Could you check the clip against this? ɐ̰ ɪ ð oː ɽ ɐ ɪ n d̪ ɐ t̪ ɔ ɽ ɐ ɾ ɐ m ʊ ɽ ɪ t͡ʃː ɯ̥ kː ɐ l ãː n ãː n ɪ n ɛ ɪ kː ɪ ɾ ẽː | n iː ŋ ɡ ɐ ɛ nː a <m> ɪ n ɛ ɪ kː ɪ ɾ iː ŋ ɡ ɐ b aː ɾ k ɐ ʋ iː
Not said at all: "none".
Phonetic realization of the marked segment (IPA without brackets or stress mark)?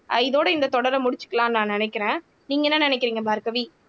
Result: n